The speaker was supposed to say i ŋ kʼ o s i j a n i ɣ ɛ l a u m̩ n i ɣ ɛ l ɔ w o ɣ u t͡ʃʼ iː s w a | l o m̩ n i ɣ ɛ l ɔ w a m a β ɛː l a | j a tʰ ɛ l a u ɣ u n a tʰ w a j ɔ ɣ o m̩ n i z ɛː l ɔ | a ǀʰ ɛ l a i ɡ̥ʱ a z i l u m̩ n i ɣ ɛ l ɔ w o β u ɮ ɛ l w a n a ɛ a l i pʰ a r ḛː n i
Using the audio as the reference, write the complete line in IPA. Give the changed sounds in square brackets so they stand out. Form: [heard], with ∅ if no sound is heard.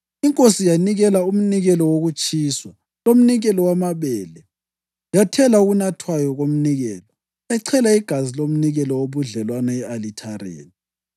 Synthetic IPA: i ŋ kʼ o s i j a n i ɣ ɛ l a u m̩ n i ɣ ɛ l ɔ w o ɣ u t͡ʃʼ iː s w a | l o m̩ n i ɣ ɛ l ɔ w a m a β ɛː l [ɛ] | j a tʰ ɛ l a u ɣ u n a tʰ w a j ɔ ɣ o m̩ n i [ɣ] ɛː l ɔ | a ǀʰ ɛ l a i ɡ̥ʱ a z i l [o] m̩ n i ɣ ɛ l ɔ w o β u ɮ ɛ l w a n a ɛ a l i [tʰ] a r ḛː n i